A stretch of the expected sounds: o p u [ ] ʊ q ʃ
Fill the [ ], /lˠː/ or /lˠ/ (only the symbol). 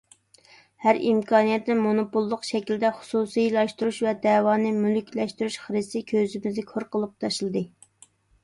lˠː